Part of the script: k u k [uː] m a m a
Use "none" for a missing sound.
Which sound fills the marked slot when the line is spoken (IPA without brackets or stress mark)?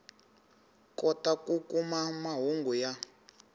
u